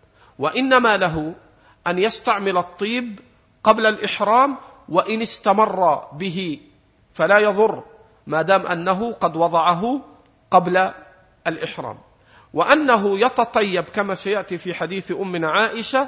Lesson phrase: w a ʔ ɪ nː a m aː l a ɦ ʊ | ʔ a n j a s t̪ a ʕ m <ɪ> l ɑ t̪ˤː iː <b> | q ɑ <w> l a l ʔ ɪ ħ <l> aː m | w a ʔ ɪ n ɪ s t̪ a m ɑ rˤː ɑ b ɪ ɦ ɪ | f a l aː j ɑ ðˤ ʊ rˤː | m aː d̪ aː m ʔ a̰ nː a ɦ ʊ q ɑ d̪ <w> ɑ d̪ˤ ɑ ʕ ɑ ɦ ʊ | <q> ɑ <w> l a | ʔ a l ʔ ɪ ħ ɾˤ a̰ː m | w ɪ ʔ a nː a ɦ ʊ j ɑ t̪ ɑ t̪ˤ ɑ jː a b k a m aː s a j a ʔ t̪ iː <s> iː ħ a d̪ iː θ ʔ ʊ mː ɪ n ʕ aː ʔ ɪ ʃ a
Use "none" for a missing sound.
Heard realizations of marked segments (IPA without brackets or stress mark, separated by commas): ɪ, b, b, ɾ, w, q, b, f